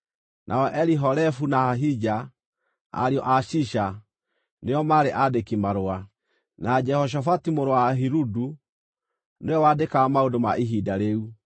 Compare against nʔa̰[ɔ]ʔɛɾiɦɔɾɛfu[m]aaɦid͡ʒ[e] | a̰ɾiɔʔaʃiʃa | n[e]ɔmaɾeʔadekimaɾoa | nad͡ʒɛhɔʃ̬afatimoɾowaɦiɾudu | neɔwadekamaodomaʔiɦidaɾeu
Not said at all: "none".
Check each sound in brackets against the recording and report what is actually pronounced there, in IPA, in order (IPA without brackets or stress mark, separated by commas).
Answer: ɔ, n, a, e